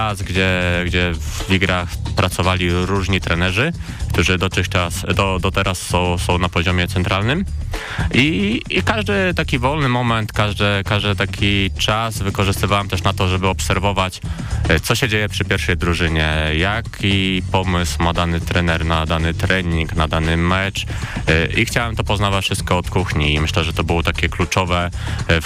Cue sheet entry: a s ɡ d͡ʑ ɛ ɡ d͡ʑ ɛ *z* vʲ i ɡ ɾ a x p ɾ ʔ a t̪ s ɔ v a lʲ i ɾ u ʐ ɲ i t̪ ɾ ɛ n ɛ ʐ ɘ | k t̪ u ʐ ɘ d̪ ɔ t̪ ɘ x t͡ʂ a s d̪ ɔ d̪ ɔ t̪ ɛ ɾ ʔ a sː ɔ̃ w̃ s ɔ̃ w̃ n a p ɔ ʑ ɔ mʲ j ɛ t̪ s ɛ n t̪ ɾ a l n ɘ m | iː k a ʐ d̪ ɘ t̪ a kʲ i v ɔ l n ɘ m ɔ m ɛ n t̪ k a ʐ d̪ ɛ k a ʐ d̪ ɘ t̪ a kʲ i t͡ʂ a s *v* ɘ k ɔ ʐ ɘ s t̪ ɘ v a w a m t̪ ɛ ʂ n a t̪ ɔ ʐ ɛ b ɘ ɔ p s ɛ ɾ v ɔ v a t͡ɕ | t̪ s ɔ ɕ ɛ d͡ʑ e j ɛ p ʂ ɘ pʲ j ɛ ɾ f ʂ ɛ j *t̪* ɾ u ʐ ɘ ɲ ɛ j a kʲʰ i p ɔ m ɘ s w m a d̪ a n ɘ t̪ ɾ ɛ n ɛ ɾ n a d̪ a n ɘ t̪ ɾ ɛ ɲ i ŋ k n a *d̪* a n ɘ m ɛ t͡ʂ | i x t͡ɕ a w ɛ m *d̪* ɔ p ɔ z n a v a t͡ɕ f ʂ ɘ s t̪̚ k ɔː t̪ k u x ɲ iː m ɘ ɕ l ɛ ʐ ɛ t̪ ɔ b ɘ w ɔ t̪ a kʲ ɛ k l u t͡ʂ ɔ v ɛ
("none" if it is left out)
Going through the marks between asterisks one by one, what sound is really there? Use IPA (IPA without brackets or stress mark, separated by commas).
v, v, d̪, d̪, t̪